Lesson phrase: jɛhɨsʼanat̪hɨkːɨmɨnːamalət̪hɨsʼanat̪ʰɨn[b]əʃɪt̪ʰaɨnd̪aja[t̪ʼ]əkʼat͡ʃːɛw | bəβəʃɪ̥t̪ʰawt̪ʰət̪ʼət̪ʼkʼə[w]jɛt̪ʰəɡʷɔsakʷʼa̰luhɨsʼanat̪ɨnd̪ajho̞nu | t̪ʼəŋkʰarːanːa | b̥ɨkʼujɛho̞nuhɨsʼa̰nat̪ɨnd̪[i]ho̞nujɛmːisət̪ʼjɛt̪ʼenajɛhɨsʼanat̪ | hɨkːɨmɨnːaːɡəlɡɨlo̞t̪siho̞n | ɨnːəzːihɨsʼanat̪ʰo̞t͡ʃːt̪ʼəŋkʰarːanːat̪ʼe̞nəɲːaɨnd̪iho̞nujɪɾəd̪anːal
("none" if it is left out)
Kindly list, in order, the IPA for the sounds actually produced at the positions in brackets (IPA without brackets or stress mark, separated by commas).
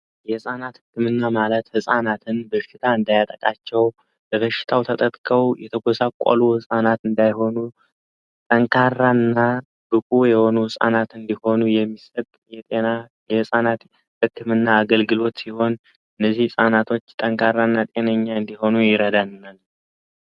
b, t̪ʼ, w, i